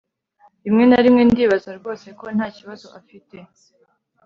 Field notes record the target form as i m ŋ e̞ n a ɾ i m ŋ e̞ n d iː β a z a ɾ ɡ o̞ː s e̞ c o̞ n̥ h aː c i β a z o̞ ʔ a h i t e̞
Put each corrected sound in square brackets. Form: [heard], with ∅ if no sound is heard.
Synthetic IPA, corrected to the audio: i m ŋ e̞ n a ɾ i m ŋ e̞ n d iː β a z a ɾ ɡ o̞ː s e̞ [k] o̞ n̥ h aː c i β a z o̞ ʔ a [f] i t e̞